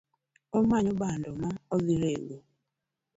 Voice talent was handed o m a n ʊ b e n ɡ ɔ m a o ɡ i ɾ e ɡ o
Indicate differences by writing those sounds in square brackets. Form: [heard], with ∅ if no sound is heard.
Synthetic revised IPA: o m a [ɲ] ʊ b [a] n [d] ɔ m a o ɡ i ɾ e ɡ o